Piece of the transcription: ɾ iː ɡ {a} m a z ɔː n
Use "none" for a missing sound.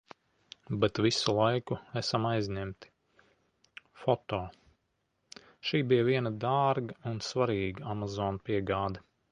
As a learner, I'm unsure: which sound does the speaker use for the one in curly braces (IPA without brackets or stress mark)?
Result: a